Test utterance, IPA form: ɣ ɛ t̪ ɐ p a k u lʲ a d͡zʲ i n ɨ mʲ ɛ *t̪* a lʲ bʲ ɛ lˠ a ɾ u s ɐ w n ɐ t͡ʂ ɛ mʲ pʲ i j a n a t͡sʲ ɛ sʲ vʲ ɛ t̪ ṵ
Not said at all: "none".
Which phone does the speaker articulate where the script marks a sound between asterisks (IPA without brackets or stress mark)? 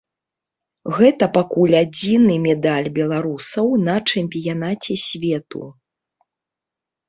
d̪